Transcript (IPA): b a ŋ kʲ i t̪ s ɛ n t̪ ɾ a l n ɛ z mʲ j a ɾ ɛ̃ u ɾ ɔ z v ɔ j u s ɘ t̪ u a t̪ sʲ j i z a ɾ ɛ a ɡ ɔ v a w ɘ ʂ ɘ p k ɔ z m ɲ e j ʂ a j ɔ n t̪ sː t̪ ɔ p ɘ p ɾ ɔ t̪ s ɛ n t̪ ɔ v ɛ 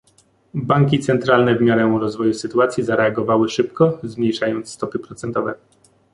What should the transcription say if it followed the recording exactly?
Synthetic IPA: b a ŋ kʲ i t̪ s ɛ n t̪ ɾ a l n ɛ v mʲ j a ɾ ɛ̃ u ɾ ɔ z v ɔ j u s ɘ t̪ u a t̪ sʲ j i z a ɾ ɛ a ɡ ɔ v a w ɘ ʂ ɘ p k ɔ z m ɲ e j ʂ a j ɔ n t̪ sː t̪ ɔ p ɘ p ɾ ɔ t̪ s ɛ n t̪ ɔ v ɛ